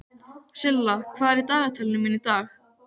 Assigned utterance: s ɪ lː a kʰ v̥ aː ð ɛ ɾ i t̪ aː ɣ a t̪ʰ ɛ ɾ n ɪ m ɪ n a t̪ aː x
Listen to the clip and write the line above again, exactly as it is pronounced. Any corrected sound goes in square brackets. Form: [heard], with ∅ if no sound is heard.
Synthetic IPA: s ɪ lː a kʰ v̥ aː ð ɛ ɾ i t̪ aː ɣ a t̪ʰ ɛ [l] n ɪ m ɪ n [i] t̪ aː x